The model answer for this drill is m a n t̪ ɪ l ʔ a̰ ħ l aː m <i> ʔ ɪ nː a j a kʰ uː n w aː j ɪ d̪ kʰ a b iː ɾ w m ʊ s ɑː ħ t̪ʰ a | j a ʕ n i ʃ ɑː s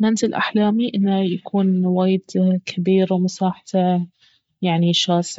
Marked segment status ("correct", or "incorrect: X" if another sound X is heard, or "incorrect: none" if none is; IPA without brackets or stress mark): correct